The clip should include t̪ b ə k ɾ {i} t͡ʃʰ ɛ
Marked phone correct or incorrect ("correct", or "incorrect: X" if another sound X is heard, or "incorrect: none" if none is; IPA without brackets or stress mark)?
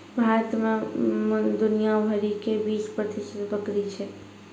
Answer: correct